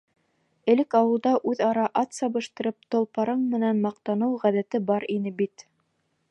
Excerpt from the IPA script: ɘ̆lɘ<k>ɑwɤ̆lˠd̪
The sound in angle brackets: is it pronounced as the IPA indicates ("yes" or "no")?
yes